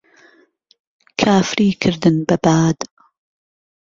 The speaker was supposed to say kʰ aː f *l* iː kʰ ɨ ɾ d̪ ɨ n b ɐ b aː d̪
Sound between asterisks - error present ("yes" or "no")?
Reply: yes